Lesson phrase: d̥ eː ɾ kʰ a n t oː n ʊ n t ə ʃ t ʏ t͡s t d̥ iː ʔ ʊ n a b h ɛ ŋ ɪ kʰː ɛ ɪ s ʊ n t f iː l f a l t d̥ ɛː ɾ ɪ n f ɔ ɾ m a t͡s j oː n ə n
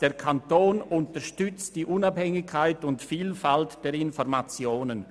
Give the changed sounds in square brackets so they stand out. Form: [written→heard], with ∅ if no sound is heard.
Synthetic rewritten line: d̥ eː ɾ kʰ a n t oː n ʊ n t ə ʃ t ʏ t͡s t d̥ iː ʔ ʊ n a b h ɛ ŋ ɪ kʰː [ɛ→a] ɪ [s→t] ʊ n t f iː l f a l t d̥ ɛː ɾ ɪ n f ɔ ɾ m a t͡s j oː n ə n